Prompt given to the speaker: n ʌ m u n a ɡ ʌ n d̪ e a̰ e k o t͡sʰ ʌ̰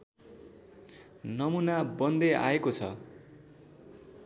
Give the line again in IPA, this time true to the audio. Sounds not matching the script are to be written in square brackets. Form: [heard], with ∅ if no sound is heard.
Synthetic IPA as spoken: n ʌ m u n a [b] ʌ n d̪ e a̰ e k o t͡sʰ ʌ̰